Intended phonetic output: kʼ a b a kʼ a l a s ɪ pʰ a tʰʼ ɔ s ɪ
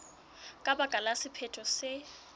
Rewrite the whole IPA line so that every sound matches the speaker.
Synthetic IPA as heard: kʼ a b a kʼ a l a s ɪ pʰ ɛ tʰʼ ɔ s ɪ

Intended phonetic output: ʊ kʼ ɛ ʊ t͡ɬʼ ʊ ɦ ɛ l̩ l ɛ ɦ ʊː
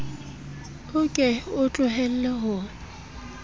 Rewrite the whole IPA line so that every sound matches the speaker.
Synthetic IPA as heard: ʊ kʼ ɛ ʊ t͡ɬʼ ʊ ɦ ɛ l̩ l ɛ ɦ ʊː

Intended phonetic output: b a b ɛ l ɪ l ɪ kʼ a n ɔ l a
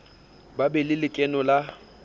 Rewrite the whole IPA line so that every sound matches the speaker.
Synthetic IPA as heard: b a b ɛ l ɪ l ɪ kʼ ɛ n ɔ l a

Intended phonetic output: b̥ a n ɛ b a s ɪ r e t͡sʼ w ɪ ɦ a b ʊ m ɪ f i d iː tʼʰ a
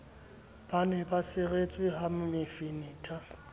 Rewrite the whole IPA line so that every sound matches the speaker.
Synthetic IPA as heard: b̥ a n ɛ b a s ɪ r e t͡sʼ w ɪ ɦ a m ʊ m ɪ f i n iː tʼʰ a

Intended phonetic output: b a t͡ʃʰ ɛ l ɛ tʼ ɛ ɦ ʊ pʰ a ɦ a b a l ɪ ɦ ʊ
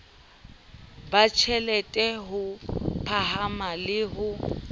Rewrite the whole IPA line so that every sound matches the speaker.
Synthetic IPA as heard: b a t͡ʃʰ ɛ l ɛ tʼ ɛ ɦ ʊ pʰ a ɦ a m a l ɪ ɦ ʊ

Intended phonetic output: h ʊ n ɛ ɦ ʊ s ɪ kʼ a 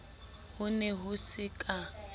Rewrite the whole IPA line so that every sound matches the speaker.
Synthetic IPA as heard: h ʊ n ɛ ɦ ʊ s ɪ kʼ a

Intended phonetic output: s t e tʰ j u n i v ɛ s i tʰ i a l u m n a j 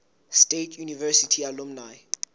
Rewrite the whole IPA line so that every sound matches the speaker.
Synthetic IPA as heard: s t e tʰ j u n i v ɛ s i tʰ i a l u m n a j

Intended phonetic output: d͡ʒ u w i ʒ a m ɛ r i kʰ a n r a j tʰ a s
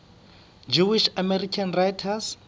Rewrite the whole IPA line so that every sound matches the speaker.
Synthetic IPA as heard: d͡ʒ u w i ʃ a m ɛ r i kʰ a n r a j tʰ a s

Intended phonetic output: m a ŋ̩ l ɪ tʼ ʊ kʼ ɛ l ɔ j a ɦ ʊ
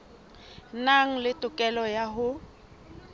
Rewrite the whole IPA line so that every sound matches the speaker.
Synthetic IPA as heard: n a ŋ̩ l ɪ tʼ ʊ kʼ ɛ l ɔ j a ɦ ʊ

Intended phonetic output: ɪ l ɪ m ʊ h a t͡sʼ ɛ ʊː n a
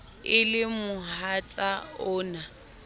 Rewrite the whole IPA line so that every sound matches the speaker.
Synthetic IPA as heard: ɪ l ɪ m ʊ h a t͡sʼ a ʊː n a

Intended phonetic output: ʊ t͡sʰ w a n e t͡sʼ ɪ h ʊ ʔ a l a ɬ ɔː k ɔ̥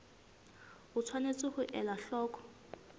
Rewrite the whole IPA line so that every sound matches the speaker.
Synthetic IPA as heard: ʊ t͡sʰ w a n e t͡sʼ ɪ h ʊ ʔ ɛ l a ɬ ɔː k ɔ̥

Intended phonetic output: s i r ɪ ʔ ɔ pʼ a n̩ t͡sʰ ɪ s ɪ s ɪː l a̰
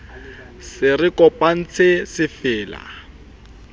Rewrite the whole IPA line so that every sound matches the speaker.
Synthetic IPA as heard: s ɪ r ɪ k ɔ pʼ a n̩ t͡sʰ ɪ s ɪ f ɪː l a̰

